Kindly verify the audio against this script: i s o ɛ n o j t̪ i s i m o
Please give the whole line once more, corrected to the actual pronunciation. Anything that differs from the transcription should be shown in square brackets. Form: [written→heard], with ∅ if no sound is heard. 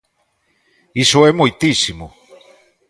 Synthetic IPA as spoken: i s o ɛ [n→m] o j t̪ i s i m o